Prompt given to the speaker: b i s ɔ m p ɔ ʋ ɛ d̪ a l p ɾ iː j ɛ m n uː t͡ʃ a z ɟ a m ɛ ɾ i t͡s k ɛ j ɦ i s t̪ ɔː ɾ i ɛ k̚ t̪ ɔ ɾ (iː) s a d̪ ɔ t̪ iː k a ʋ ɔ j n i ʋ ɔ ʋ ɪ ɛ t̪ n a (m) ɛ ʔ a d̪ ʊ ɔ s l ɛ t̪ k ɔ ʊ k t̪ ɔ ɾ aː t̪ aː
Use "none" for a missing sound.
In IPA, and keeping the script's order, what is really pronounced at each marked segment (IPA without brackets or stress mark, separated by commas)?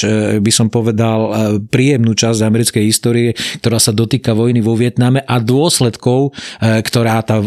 aː, m